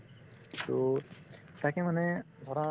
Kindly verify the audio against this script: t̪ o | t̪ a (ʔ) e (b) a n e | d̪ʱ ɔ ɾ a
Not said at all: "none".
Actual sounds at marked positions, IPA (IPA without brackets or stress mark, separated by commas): k, m